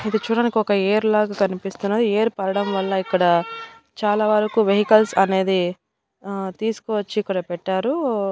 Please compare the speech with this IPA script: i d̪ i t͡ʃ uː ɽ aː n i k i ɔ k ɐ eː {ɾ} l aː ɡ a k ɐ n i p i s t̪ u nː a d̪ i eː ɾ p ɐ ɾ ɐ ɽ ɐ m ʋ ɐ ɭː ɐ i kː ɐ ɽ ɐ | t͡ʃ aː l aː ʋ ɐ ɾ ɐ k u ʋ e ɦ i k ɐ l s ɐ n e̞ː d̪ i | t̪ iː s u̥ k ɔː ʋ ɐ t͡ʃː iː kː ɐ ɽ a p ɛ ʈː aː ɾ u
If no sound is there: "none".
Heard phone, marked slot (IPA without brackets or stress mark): ɾ